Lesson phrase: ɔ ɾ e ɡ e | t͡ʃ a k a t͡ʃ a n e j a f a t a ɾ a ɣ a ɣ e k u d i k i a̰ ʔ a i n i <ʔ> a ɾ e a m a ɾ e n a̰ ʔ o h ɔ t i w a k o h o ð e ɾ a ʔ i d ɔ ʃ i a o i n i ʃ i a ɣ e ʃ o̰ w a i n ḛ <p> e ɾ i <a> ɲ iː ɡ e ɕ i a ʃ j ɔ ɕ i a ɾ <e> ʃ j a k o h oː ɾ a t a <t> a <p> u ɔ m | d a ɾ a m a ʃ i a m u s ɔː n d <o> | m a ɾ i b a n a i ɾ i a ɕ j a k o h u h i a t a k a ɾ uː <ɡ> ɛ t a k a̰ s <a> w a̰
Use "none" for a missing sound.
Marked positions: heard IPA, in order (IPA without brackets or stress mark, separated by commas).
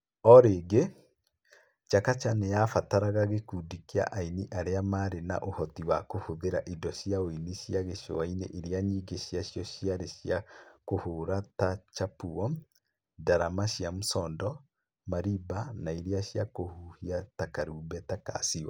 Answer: ʔ, ʔ, a, e, t͡ʃ, p, ɔ, b, i